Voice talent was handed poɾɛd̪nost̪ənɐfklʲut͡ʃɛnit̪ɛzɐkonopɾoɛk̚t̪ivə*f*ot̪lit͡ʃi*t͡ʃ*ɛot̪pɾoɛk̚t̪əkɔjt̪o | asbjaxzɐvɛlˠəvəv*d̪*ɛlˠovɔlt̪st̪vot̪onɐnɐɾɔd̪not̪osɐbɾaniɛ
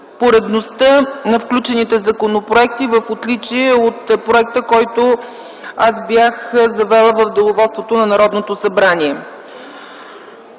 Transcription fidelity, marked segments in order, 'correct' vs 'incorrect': correct, incorrect, correct

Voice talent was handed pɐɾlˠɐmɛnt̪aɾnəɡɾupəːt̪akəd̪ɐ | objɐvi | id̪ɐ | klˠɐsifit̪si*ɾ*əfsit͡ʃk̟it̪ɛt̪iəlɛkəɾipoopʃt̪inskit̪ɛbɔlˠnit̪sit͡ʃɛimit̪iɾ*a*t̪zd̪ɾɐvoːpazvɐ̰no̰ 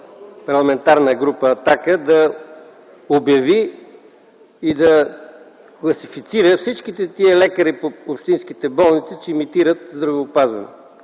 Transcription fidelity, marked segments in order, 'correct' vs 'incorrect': correct, incorrect

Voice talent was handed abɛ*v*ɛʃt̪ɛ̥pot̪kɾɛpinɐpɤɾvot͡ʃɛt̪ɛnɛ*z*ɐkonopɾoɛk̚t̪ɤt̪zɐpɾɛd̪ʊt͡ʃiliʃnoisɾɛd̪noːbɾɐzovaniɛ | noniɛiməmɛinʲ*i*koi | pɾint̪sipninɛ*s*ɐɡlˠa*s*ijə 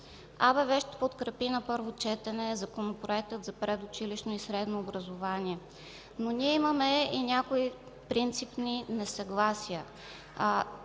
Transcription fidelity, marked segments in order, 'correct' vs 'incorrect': correct, correct, incorrect, correct, correct

